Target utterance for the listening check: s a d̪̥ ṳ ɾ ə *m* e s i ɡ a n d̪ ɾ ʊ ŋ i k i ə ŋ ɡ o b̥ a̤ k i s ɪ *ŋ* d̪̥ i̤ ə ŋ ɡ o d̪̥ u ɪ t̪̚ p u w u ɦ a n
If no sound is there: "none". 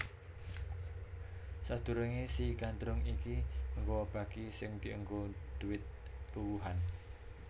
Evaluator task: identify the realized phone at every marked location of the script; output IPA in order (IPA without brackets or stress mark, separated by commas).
ŋ, ŋ